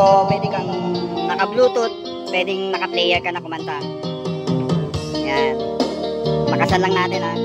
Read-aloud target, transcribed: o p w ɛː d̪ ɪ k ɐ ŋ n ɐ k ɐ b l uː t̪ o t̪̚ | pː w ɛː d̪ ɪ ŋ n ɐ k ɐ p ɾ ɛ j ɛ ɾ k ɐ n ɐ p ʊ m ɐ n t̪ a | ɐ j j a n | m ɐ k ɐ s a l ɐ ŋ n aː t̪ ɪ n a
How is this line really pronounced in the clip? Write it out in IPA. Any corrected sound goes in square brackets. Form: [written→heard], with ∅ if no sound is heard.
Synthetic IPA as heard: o p w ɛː d̪ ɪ k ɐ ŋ n ɐ k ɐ b l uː t̪ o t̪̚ | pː w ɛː d̪ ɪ ŋ n ɐ k ɐ p [ɾ→l] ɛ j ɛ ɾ k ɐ n ɐ [p→k] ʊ m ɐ n t̪ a | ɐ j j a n | m ɐ k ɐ s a l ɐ ŋ n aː t̪ ɪ n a